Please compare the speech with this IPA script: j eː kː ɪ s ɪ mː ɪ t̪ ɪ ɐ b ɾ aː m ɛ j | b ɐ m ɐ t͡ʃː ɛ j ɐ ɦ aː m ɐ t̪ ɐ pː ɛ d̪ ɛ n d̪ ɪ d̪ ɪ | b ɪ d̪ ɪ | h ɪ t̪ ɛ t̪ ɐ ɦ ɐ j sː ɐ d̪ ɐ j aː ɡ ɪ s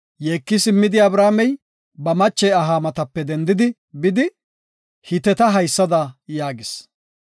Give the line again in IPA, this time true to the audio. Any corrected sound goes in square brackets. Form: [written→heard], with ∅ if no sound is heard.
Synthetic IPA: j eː kː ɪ s ɪ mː ɪ [t̪→d̪] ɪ ɐ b ɾ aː m ɛ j | b ɐ m ɐ t͡ʃː ɛ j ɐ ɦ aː m ɐ t̪ ɐ pː ɛ d̪ ɛ n d̪ ɪ d̪ ɪ | b ɪ d̪ ɪ | h ɪ t̪ ɛ t̪ ɐ ɦ ɐ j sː ɐ d̪ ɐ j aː ɡ ɪ s

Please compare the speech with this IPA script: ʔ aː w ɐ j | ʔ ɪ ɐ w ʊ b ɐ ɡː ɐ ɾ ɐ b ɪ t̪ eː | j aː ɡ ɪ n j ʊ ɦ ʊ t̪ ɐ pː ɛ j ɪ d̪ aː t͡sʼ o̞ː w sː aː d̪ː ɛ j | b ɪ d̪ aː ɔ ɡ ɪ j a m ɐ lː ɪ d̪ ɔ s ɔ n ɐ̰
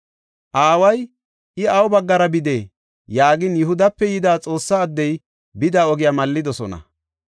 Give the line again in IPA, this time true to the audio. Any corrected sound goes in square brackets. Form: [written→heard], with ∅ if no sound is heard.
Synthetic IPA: ʔ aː w ɐ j | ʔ ɪ ɐ w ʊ b ɐ ɡː ɐ ɾ ɐ b ɪ [t̪→d̪] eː | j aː ɡ ɪ n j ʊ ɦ ʊ [t̪→d̪] ɐ pː ɛ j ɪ d̪ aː t͡sʼ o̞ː [w→∅] sː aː d̪ː ɛ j | b ɪ d̪ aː ɔ ɡ ɪ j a m ɐ lː ɪ d̪ ɔ s ɔ n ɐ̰

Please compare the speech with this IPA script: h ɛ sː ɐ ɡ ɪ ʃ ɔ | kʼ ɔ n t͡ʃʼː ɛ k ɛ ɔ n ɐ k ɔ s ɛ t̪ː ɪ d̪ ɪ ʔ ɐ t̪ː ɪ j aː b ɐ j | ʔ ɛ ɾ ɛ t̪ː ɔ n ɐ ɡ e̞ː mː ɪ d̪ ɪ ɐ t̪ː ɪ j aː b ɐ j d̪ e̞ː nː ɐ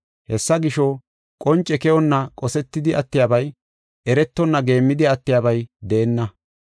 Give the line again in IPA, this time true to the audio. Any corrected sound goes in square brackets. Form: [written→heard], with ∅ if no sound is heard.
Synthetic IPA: h ɛ sː ɐ ɡ ɪ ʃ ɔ | kʼ ɔ n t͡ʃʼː ɛ k ɛ ɔ [n→nː] ɐ [k→kʼ] ɔ s ɛ t̪ː ɪ d̪ ɪ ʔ ɐ t̪ː ɪ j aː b ɐ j | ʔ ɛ ɾ ɛ t̪ː ɔ [n→nː] ɐ ɡ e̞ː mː ɪ d̪ ɪ ɐ t̪ː ɪ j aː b ɐ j d̪ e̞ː nː ɐ

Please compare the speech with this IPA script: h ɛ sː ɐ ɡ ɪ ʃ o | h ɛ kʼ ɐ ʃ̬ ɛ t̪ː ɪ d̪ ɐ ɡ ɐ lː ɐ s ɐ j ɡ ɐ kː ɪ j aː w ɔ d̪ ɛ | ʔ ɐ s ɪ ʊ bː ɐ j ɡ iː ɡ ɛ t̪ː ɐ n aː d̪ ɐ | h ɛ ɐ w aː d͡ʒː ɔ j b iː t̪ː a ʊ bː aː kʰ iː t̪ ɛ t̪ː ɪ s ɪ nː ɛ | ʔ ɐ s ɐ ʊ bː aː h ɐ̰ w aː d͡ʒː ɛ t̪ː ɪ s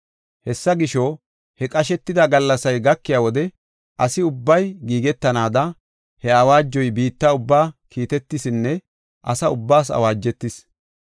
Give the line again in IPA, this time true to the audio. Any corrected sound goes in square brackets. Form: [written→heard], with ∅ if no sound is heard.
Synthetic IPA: h ɛ sː ɐ ɡ ɪ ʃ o | h ɛ kʼ ɐ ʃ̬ ɛ t̪ː ɪ d̪ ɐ ɡ ɐ lː ɐ s ɐ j ɡ ɐ kː ɪ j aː w ɔ d̪ ɛ | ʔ ɐ s ɪ ʊ bː ɐ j ɡ iː ɡ ɛ t̪ː ɐ n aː d̪ ɐ | h ɛ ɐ w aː d͡ʒː ɔ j b iː t̪ː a ʊ bː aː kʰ iː t̪ ɛ t̪ː ɪ s ɪ nː ɛ | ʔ ɐ s ɐ ʊ bː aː [h→s] ɐ̰ w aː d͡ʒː ɛ t̪ː ɪ s

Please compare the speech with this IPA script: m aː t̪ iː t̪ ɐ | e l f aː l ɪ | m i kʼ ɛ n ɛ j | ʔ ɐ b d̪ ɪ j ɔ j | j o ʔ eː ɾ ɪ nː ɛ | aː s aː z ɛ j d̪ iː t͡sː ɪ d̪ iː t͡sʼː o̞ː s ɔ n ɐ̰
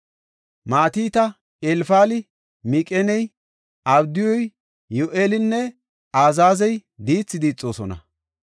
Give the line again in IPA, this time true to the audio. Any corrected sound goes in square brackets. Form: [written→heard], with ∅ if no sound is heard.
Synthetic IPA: m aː t̪ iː t̪ ɐ | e l f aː l ɪ | m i kʼ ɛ n ɛ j | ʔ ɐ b d̪ ɪ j ɔ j | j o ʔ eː [ɾ→l] ɪ nː ɛ | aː [s→z] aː z ɛ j d̪ iː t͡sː ɪ d̪ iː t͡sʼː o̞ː s ɔ n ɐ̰

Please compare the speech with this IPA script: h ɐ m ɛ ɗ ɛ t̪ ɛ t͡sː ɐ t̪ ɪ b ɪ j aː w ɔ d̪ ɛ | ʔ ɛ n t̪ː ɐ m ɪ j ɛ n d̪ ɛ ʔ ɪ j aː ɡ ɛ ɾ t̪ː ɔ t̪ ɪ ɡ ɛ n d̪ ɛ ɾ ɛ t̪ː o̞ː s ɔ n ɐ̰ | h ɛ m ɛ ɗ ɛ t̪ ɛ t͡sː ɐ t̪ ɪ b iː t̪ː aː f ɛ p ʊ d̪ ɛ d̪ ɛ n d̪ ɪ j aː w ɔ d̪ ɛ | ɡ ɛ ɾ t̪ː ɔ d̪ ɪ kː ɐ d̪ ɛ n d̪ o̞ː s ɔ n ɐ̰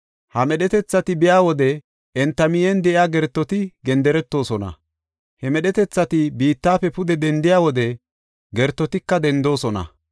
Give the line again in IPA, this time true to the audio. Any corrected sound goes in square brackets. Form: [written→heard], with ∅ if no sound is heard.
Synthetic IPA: h ɐ m ɛ ɗ ɛ t̪ ɛ t͡sː ɐ t̪ ɪ b ɪ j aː w ɔ d̪ ɛ | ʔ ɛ n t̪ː ɐ m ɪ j ɛ n d̪ ɛ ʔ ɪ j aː ɡ ɛ ɾ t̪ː ɔ t̪ ɪ ɡ ɛ n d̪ ɛ ɾ ɛ t̪ː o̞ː s ɔ n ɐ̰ | h ɛ m ɛ ɗ ɛ t̪ ɛ t͡sː ɐ t̪ ɪ b iː t̪ː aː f ɛ p ʊ d̪ ɛ d̪ ɛ n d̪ ɪ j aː w ɔ d̪ ɛ | ɡ ɛ ɾ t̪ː ɔ [d̪→t̪] ɪ kː ɐ d̪ ɛ n d̪ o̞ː s ɔ n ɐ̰

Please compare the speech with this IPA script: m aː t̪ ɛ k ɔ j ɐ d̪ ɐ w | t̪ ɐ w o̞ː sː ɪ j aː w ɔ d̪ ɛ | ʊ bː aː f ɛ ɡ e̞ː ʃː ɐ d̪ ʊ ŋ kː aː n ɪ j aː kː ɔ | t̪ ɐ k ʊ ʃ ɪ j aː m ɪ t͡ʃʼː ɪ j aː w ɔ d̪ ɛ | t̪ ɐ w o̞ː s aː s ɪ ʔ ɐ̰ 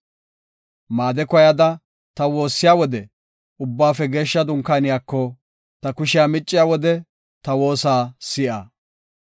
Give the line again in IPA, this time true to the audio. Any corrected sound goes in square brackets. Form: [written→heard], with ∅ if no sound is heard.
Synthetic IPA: m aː [t̪→d̪] ɛ k ɔ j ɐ d̪ ɐ [w→∅] | t̪ ɐ w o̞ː sː ɪ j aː w ɔ d̪ ɛ | ʊ bː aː f ɛ ɡ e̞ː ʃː ɐ d̪ ʊ ŋ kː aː n ɪ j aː kː ɔ | t̪ ɐ k ʊ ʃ ɪ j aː m ɪ t͡ʃʼː ɪ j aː w ɔ d̪ ɛ | t̪ ɐ w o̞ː s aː s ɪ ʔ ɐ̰

